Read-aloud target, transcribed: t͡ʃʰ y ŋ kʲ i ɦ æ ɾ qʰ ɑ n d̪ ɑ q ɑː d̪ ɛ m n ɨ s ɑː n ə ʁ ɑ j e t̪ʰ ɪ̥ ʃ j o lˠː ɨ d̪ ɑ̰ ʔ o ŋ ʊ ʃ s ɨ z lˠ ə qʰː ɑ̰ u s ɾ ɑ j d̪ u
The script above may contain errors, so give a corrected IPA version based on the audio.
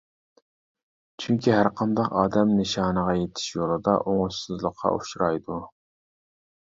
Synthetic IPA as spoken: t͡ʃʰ y ŋ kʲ i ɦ æ ɾ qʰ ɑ n d̪ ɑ q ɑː d̪ ɛ m n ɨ ʃ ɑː n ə ʁ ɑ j e t̪ʰ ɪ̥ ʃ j o lˠ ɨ d̪ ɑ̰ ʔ o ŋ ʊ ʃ s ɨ z lˠ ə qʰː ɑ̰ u ʃ ɾ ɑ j d̪ u